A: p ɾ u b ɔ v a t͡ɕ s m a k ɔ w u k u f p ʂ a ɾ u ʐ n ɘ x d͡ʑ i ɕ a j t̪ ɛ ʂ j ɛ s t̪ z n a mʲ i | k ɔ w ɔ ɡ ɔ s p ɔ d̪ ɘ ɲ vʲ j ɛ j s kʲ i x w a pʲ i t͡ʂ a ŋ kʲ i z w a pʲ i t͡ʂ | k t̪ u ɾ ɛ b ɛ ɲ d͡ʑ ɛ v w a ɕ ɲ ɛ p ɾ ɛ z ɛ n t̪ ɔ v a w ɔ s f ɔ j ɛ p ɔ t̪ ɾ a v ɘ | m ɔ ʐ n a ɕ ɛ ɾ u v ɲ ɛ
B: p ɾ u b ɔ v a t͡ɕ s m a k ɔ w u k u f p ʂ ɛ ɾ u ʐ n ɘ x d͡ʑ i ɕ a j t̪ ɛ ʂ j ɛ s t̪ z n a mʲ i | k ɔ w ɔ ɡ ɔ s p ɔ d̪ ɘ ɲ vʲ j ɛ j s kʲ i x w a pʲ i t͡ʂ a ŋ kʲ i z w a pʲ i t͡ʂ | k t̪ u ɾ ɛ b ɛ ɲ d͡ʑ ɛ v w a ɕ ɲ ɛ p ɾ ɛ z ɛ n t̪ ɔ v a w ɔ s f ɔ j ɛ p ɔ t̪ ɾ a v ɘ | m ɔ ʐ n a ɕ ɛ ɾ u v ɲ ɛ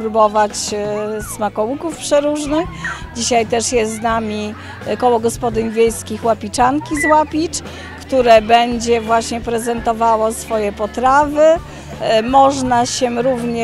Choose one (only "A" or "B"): B